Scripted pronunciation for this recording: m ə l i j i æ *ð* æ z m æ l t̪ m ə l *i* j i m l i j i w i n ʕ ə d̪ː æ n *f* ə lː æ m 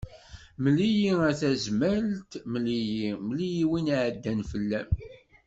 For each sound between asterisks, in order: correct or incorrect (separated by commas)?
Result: incorrect, correct, correct